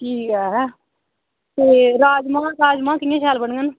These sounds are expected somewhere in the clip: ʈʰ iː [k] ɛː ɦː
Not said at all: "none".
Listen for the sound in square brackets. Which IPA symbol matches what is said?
k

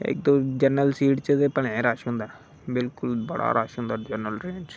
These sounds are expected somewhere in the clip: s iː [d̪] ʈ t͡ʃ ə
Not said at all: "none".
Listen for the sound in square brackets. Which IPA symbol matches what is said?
none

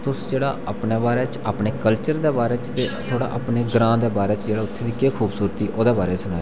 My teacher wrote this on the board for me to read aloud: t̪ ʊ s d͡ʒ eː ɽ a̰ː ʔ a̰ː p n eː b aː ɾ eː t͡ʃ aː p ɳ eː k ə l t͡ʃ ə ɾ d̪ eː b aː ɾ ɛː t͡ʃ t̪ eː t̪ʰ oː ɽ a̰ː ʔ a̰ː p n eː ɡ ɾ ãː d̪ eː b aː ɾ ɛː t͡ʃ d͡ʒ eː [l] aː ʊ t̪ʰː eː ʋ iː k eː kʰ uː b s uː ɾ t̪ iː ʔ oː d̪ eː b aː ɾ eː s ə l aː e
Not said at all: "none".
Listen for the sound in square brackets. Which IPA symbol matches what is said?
ɽ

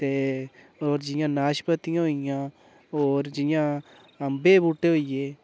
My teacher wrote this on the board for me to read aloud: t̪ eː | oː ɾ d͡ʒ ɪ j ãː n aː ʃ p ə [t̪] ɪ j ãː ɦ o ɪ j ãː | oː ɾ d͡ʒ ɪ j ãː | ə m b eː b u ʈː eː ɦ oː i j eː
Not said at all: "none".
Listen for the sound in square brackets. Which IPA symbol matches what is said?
t̪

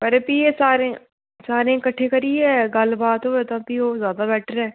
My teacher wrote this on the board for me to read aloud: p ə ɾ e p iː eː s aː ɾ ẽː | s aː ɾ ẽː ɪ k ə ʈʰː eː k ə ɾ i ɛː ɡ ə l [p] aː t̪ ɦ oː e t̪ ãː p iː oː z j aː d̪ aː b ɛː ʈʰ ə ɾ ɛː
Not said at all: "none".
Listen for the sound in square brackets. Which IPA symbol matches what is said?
b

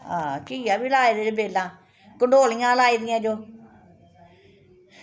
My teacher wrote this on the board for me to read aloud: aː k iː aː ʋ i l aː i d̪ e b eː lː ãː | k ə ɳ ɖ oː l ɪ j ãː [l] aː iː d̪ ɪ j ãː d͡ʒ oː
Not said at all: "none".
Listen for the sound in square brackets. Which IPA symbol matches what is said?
l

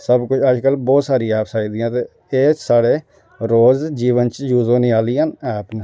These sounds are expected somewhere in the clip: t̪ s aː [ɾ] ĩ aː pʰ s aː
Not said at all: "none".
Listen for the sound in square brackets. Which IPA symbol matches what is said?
ɾ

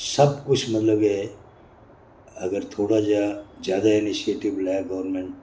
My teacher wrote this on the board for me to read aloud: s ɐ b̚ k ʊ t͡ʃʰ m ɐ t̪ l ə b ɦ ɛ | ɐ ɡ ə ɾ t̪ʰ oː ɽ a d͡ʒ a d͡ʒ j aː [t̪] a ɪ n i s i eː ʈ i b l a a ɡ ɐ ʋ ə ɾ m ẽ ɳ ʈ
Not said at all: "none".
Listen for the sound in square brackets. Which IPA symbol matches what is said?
d̪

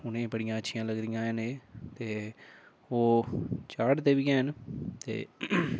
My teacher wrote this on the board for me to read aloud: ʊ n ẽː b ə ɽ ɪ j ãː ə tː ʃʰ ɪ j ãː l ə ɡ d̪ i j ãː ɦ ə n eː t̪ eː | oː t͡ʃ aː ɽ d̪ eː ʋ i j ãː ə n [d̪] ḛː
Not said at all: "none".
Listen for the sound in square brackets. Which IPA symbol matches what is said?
t̪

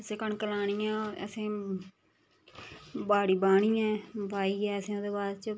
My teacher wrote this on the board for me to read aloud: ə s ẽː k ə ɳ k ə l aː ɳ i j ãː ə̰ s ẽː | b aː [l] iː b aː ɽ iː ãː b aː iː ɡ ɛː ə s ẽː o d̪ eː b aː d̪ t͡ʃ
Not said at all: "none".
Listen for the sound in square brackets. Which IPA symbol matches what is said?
ɽ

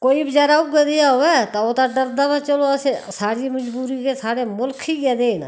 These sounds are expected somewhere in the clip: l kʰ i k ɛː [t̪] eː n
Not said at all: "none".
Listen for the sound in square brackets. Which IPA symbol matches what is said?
d̪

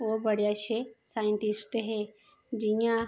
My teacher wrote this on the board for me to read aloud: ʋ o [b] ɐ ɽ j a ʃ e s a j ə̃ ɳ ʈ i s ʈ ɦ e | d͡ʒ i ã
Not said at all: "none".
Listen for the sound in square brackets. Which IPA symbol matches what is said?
b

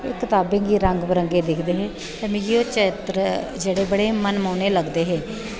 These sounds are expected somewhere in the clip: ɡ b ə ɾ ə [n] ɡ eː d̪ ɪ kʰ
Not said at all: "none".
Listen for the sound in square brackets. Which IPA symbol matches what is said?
ŋ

